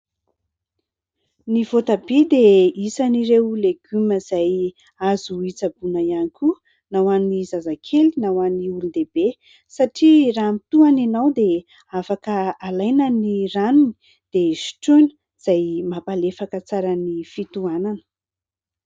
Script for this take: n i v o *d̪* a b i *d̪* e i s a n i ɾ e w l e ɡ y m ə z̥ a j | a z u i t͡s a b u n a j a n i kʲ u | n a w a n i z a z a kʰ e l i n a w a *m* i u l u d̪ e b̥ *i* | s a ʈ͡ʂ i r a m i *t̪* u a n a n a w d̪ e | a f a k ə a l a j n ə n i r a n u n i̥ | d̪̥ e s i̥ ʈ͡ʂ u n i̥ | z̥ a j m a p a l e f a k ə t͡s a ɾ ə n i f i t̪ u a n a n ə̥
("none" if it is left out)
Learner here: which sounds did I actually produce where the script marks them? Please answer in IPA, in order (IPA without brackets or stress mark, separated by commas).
t̪, d̪, n, e, t̪